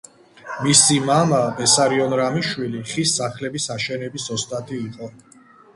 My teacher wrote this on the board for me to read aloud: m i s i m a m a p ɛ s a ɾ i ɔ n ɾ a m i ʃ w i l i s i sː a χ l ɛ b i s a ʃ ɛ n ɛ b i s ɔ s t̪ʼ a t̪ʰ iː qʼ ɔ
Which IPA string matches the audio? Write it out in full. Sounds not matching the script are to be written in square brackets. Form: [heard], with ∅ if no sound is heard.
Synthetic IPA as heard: m i s i m a m a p ɛ s a ɾ i ɔ n ɾ a m i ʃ w i l i [χ] i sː a χ l ɛ b i s a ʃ ɛ n ɛ b i s ɔ s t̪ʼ a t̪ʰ iː qʼ ɔ